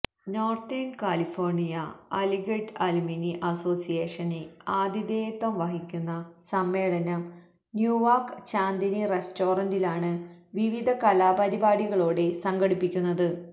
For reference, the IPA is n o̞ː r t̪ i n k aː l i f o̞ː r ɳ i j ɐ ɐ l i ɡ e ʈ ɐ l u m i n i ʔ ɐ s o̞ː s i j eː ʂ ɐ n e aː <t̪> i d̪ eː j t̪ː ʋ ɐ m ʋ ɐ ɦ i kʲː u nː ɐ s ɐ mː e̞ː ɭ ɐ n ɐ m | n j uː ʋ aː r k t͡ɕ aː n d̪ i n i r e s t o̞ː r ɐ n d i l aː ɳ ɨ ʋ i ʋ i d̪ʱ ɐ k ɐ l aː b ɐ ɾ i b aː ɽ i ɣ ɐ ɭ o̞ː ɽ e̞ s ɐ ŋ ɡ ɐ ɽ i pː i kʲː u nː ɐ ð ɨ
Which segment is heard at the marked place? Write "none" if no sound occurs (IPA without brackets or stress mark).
d̪